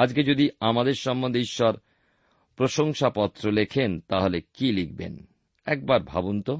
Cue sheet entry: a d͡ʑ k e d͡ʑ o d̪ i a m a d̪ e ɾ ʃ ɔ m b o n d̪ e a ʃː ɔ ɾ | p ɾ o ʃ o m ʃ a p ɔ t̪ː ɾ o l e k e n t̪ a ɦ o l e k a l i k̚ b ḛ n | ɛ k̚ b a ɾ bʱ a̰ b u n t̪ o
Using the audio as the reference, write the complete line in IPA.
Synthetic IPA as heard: a d͡ʑ k e d͡ʑ o d̪ i a m a d̪ e ɾ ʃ ɔ m b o n d̪ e i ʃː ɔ ɾ | p ɾ o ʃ o ŋ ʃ a p ɔ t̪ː ɾ o l e kʰ e n t̪ a ɦ o l e k i l i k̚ b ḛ n | ɛ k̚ b a ɾ bʱ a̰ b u n t̪ o